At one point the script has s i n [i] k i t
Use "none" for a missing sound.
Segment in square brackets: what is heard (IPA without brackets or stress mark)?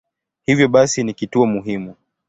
i